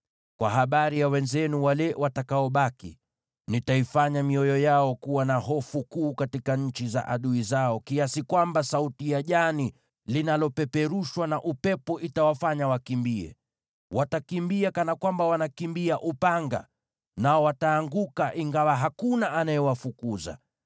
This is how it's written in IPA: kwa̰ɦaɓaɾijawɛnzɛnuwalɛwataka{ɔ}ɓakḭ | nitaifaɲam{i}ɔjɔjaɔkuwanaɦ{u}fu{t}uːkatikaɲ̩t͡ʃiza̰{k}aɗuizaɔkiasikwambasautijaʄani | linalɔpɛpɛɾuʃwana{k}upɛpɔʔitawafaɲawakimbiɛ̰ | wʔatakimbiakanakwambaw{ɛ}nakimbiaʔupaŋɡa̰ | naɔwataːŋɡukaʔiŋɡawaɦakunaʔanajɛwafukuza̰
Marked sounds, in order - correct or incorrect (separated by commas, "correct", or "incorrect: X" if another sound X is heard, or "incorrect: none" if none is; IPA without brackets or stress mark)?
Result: correct, correct, incorrect: ɔ, incorrect: k, incorrect: ʔ, incorrect: ʔ, incorrect: a